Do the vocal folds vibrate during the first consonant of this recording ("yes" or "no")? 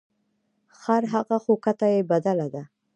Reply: no